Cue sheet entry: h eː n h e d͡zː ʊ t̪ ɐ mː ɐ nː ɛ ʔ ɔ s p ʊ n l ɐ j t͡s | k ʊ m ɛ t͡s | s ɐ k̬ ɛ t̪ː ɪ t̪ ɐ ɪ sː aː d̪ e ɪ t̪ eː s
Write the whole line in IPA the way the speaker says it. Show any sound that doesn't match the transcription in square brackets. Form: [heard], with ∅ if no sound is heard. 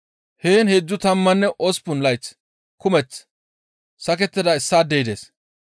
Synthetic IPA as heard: h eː n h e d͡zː ʊ t̪ ɐ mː ɐ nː ɛ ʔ ɔ s p ʊ n l ɐ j t͡s | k ʊ m ɛ t͡s | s ɐ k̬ ɛ t̪ː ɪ [d̪] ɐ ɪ sː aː d̪ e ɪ [d̪] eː s